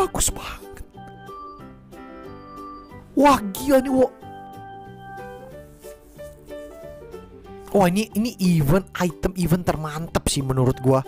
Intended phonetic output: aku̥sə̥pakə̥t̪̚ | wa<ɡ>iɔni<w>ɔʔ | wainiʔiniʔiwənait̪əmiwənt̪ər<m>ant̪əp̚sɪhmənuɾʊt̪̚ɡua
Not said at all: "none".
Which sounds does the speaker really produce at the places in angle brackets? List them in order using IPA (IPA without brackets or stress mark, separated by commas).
ɡ, w, m